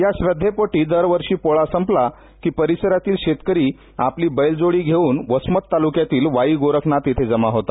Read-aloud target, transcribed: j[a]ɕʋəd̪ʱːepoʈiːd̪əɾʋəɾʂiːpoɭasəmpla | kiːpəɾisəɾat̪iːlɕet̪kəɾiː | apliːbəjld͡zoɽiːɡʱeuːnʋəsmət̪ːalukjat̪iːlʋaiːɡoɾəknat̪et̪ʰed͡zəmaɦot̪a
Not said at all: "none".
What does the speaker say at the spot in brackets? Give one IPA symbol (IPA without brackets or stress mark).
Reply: a